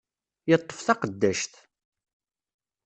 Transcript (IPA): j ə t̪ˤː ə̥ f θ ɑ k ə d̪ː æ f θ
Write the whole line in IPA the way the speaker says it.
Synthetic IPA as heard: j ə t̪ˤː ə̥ f θ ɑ q ə d̪ː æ ʃ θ